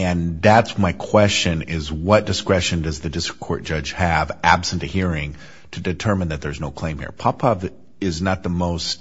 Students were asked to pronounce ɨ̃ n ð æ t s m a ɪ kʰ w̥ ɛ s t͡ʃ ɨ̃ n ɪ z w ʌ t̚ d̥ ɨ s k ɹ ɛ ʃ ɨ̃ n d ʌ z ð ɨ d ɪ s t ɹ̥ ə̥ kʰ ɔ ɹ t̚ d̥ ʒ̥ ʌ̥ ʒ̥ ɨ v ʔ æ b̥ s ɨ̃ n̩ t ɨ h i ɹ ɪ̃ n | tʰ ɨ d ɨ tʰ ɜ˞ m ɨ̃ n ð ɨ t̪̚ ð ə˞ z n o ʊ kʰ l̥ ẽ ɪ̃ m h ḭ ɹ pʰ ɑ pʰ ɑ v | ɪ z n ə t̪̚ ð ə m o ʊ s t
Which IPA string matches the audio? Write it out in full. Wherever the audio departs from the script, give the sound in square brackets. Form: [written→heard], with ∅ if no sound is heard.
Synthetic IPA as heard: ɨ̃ n ð æ t s m a ɪ kʰ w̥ ɛ s t͡ʃ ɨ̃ n ɪ z w ʌ t̚ d̥ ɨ s k ɹ ɛ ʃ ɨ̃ n d ʌ z ð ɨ d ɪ s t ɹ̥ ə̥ kʰ ɔ ɹ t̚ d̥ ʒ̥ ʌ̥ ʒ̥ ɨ v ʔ æ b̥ s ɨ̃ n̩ t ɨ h i ɹ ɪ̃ [n→ŋ] | tʰ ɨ d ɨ tʰ ɜ˞ m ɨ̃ n ð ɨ t̪̚ ð ə˞ z n o ʊ kʰ l̥ ẽ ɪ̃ m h ḭ ɹ pʰ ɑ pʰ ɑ v | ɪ z n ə t̪̚ ð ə m o ʊ s t